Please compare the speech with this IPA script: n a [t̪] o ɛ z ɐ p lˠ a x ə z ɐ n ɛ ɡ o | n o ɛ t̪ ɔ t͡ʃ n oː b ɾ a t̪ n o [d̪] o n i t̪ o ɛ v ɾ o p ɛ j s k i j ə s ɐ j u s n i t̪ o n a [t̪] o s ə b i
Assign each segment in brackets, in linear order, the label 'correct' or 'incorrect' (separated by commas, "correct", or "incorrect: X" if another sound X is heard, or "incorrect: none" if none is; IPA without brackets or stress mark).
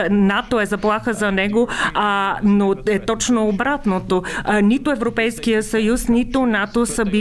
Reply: correct, incorrect: t̪, correct